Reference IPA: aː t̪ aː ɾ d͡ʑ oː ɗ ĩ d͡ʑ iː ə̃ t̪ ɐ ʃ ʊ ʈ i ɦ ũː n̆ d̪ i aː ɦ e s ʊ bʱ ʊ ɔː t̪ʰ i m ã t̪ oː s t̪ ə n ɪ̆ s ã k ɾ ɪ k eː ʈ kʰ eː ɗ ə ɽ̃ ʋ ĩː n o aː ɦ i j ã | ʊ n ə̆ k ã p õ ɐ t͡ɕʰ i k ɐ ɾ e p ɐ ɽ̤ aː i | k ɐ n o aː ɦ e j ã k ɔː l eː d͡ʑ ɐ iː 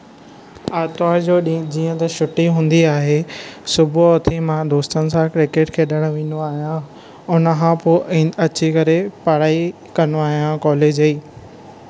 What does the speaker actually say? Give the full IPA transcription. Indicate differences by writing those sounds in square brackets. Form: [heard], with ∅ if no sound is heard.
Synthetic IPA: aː t̪ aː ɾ d͡ʑ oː ɗ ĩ d͡ʑ iː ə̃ t̪ ɐ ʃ ʊ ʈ i ɦ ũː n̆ d̪ i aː ɦ e s ʊ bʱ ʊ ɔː t̪ʰ i m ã [d̪] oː s t̪ ə n ɪ̆ s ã k ɾ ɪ k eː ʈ kʰ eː ɗ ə ɽ̃ ʋ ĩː n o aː ɦ i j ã | ʊ n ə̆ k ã p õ ɐ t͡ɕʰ i k ɐ ɾ e p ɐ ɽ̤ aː i | k ɐ n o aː ɦ [i] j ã k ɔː l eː d͡ʑ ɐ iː